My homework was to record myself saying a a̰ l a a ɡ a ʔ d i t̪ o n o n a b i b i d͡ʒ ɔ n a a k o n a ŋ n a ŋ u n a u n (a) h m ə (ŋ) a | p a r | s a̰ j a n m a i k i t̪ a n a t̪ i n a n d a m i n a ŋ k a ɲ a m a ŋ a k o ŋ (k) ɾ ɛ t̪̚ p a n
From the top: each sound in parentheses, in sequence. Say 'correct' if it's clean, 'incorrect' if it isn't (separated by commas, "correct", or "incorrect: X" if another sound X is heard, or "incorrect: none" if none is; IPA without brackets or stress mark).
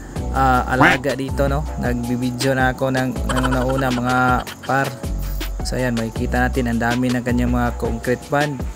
correct, correct, correct